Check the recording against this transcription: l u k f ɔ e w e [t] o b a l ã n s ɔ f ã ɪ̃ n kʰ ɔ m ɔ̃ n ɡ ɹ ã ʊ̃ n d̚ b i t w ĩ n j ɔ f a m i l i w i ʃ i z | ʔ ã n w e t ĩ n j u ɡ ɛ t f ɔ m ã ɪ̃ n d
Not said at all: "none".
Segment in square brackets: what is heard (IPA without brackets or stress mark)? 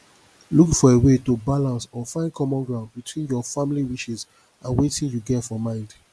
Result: t